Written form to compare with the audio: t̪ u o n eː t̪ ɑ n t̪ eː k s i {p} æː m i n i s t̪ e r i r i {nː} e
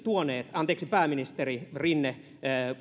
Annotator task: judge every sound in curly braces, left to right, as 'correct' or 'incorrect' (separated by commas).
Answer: correct, correct